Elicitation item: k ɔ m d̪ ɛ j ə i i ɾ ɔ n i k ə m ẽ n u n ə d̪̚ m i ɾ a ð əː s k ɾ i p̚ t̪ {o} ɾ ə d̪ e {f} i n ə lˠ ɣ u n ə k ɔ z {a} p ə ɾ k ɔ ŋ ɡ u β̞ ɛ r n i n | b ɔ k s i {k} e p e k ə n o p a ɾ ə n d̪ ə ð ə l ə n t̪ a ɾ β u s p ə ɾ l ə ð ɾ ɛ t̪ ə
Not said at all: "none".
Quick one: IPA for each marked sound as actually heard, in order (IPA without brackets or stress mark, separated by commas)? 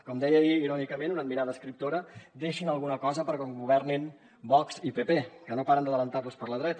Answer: o, ʃ, ə, p